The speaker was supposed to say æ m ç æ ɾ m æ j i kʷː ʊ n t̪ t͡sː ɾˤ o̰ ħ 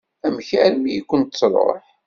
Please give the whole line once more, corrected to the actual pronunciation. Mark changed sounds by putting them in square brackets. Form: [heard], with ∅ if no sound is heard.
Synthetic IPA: æ m ç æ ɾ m [i] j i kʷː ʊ n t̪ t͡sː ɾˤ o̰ ħ